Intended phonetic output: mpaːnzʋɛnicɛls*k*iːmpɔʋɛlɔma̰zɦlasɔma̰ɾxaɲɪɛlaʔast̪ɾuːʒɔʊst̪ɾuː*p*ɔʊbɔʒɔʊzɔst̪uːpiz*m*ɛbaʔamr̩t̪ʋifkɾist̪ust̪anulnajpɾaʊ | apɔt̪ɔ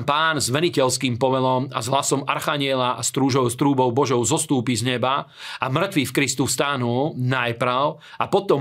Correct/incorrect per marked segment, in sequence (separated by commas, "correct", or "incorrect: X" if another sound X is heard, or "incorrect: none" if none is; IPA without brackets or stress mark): correct, incorrect: b, incorrect: ɲ